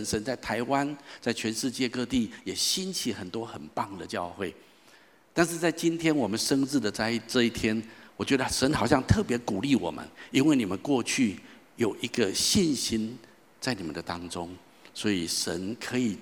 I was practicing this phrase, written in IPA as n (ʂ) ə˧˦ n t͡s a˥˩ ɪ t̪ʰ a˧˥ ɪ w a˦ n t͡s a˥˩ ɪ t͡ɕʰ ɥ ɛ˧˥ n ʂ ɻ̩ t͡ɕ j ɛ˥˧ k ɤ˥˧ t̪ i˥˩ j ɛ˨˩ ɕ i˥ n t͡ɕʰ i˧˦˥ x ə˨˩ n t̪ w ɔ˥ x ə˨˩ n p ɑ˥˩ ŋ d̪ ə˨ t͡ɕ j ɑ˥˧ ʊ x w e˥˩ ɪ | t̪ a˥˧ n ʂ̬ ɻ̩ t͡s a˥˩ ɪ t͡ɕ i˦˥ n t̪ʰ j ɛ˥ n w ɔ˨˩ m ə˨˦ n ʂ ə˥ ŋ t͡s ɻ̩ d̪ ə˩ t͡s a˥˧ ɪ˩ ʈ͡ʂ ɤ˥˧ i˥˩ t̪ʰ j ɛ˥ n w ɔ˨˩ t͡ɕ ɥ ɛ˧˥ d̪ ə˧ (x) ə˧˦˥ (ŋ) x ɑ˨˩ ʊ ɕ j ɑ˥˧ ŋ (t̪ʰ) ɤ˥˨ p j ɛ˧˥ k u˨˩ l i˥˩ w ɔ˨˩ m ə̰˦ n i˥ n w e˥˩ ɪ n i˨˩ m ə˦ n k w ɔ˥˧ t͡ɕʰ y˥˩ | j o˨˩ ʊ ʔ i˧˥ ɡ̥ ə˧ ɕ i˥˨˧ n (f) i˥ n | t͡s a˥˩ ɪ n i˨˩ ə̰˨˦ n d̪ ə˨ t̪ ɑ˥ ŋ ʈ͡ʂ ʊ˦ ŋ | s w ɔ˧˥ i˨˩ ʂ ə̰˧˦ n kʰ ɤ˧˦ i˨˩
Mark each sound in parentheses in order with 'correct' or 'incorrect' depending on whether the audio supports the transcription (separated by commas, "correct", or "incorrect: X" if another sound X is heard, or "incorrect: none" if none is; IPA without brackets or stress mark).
correct, incorrect: ʂ, incorrect: n, correct, incorrect: ɕ